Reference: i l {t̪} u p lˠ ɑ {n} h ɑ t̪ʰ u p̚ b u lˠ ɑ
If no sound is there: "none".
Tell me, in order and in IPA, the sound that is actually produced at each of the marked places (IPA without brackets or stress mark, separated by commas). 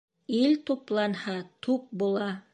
t̪, n